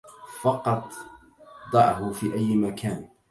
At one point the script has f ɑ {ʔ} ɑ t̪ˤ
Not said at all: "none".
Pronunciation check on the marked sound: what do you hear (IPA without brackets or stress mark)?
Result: q